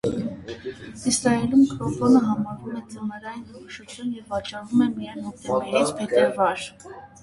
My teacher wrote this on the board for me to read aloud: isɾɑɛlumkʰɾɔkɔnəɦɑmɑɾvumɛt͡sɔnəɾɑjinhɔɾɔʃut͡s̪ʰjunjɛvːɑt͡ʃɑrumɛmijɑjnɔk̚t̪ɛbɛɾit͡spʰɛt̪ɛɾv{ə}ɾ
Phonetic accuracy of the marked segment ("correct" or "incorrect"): incorrect